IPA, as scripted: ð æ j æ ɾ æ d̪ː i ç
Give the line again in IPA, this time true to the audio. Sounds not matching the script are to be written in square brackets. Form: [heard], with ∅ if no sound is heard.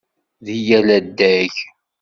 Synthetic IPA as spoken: ð [i] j æ [l] æ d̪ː [æ] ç

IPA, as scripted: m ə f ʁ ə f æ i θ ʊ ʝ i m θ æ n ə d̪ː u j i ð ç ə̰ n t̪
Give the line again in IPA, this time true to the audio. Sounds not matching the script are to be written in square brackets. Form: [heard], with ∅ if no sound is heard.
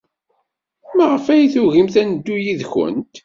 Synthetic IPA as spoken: m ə [∅] ʁ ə f æ [j] θ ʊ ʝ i m θ æ n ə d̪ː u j i ð ç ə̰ n t̪

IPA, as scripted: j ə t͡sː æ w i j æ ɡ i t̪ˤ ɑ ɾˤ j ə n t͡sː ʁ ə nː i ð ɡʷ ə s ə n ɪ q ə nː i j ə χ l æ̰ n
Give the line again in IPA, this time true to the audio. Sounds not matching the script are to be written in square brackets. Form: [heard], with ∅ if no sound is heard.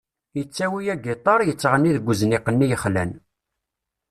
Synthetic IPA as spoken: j ə t͡sː æ w i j æ ɡ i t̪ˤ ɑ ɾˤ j ə [∅] t͡sː ʁ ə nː i ð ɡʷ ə [z] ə n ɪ q ə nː i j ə χ l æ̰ n

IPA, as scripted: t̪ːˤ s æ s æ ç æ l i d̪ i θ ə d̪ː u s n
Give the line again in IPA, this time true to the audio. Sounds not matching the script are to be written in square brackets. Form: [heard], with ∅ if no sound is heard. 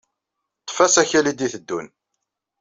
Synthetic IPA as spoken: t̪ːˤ [f] æ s æ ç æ l i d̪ i θ ə d̪ː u [∅] n

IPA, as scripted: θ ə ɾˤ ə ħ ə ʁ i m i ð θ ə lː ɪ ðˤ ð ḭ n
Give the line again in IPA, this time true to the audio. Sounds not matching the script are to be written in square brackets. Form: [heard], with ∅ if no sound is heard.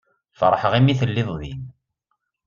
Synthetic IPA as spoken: [f] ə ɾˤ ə ħ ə ʁ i m i [∅] θ ə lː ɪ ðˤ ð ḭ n

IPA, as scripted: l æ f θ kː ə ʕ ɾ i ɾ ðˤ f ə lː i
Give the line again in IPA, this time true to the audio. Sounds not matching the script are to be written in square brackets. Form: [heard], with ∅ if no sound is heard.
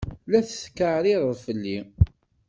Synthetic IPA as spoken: l æ [θ] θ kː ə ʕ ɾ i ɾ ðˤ f ə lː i

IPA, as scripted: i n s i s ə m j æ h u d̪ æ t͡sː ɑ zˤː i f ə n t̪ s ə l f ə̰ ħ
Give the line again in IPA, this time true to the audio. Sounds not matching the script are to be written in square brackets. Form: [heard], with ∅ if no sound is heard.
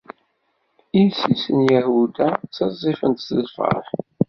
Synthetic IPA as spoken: i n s i s ə [n] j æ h u d̪ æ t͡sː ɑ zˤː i f ə n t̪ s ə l f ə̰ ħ

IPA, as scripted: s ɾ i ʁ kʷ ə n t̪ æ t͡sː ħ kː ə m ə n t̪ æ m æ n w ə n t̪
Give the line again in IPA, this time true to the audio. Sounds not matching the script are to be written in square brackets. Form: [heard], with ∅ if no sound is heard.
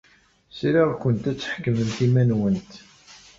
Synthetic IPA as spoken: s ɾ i ʁ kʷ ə n t̪ æ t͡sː ħ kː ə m ə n t̪ [i] m æ n w ə n t̪

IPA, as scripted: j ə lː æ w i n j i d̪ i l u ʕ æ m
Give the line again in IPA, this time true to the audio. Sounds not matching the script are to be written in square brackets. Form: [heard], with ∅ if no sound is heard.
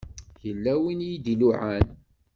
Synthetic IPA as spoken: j ə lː æ w i n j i d̪ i l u ʕ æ [n]

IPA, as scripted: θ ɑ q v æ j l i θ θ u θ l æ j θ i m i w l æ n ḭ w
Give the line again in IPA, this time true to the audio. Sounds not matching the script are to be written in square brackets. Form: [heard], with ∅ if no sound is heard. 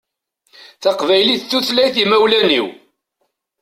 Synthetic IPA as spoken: θ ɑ q v æ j l i θ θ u θ l æ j θ i m [æ] w l æ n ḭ w

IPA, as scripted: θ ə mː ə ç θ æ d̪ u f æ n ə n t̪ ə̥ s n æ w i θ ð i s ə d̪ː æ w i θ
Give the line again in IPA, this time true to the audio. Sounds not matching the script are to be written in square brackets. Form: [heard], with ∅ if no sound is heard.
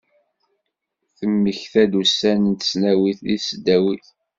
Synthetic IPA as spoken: θ ə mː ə ç θ æ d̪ u [s] æ n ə n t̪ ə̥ s n æ w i θ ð i s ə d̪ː æ w i θ

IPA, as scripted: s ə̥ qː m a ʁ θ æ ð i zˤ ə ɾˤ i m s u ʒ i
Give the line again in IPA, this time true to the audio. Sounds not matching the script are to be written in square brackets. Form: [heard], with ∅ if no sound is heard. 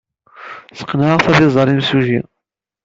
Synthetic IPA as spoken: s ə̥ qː [n] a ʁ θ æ ð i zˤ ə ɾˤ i m s u ʒ i

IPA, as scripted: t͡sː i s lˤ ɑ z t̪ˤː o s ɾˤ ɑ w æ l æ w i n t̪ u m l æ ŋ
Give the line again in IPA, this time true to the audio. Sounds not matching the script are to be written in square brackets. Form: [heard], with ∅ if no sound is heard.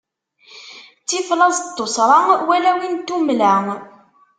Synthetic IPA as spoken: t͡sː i [f] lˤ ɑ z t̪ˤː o s ɾˤ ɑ w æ l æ w i n t̪ u m l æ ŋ

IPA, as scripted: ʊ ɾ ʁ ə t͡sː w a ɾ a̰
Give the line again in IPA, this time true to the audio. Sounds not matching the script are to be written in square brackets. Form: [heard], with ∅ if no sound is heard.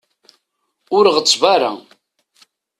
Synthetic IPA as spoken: ʊ ɾ ʁ ə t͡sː [v] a ɾ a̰

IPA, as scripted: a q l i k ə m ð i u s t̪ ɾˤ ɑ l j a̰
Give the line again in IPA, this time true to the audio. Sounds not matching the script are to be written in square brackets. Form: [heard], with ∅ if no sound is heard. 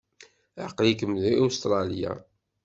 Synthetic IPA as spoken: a q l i k ə m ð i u s t̪ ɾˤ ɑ l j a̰

